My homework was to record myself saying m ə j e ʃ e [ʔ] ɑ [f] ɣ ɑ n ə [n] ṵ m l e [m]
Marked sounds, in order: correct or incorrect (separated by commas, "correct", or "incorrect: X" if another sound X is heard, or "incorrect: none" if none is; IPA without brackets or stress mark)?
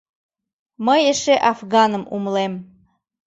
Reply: correct, correct, incorrect: m, correct